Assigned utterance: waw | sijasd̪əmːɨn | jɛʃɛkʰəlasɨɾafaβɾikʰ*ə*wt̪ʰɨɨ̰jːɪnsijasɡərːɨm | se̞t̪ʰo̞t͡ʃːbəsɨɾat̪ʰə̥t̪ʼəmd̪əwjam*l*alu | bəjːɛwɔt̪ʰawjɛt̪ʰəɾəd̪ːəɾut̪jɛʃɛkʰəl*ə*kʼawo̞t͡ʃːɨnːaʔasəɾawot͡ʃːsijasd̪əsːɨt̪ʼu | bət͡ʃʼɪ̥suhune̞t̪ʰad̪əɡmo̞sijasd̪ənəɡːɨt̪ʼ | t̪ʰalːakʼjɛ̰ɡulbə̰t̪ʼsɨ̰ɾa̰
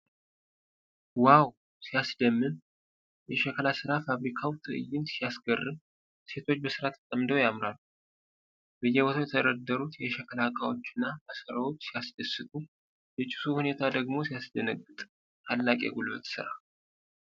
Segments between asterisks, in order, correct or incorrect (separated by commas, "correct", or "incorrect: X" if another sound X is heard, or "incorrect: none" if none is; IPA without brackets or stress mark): incorrect: a, incorrect: ɾ, incorrect: a